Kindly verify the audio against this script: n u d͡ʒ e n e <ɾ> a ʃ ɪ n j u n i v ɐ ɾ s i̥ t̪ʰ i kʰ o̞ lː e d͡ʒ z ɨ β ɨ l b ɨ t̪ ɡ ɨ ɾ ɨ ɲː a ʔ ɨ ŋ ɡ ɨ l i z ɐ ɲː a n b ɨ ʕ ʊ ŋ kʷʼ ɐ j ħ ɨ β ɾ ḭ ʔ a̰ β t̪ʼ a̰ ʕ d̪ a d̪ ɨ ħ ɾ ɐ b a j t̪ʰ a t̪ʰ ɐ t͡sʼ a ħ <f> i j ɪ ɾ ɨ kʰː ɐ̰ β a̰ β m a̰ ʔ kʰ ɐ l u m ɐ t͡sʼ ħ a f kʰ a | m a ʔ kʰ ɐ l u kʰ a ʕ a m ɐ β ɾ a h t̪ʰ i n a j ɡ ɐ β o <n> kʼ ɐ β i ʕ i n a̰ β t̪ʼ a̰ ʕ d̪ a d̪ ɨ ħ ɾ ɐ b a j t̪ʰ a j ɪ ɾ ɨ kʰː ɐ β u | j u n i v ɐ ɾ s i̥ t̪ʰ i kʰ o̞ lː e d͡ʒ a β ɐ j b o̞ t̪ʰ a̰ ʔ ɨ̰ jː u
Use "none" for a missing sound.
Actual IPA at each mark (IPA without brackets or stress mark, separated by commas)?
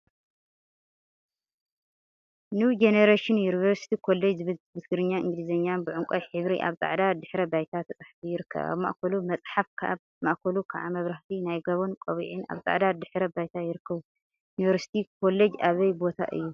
ɾ, f, n